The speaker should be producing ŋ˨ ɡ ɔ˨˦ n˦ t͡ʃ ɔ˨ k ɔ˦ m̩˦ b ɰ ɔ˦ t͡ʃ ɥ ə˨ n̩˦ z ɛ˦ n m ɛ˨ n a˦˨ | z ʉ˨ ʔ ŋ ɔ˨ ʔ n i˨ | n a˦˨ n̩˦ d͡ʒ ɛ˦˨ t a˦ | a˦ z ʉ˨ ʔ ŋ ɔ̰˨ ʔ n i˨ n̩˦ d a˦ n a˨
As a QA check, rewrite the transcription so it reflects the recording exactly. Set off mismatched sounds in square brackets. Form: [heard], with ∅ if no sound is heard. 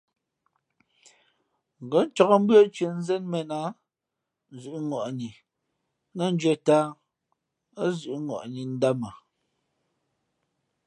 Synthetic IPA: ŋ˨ ɡ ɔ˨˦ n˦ t͡ʃ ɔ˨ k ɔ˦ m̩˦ b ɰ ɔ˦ t͡ʃ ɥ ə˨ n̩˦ z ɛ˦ n m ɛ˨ n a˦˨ | z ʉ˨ ʔ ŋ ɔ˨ ʔ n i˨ | n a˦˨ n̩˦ d͡ʒ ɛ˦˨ t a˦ | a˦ z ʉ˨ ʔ ŋ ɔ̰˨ ʔ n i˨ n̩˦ d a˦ [m] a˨